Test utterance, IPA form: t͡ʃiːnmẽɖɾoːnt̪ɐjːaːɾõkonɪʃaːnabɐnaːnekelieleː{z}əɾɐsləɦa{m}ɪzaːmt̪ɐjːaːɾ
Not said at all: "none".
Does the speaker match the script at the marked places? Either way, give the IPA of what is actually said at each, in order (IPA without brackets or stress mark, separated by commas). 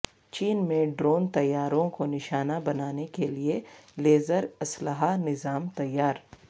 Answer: z, n